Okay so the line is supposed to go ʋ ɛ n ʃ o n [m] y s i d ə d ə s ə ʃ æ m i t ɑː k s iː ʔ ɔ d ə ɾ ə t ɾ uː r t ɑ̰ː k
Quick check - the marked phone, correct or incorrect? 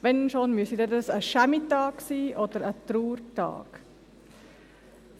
correct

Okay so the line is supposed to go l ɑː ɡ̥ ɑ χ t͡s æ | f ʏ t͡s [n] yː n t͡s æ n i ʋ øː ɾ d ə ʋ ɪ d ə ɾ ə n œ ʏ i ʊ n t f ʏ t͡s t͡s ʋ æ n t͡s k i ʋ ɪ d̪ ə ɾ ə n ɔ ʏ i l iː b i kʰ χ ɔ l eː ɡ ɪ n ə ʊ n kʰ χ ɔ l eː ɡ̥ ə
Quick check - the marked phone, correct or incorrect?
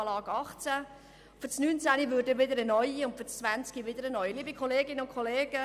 correct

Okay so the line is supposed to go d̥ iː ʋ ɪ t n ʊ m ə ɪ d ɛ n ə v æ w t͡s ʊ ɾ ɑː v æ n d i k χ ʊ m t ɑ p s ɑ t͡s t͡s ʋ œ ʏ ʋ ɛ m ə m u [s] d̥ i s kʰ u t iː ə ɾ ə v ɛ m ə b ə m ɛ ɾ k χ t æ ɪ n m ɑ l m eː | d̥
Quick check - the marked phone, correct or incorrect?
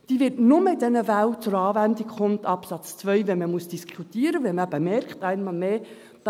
correct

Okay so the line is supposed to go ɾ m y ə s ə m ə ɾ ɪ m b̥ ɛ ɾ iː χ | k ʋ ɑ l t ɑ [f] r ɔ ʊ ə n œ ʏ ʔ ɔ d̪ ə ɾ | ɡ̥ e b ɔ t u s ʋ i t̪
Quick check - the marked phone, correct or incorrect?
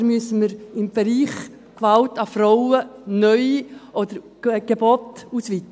correct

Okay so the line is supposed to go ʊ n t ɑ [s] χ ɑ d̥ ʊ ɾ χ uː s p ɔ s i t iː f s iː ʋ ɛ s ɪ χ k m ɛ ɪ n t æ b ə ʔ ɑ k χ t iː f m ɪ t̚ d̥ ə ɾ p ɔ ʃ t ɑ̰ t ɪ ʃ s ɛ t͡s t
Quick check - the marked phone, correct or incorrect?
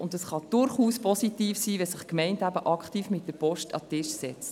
correct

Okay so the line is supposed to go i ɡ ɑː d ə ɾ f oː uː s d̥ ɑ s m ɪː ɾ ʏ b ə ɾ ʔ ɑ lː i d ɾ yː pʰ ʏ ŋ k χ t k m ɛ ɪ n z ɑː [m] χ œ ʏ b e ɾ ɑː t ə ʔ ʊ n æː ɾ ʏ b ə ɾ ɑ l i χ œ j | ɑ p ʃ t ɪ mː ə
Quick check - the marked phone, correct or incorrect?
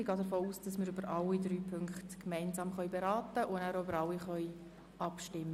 correct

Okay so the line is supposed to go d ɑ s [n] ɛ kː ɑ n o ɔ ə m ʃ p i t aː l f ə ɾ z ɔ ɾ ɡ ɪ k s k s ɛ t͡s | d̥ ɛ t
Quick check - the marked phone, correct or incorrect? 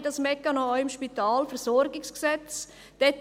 incorrect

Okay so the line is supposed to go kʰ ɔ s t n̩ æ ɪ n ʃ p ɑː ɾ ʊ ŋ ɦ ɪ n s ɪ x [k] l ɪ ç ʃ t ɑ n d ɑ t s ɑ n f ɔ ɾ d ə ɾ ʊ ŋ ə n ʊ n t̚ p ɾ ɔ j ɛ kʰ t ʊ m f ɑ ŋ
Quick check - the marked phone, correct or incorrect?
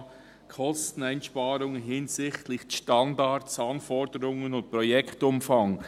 incorrect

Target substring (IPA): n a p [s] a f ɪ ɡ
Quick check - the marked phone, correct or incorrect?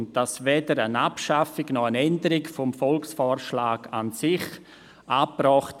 incorrect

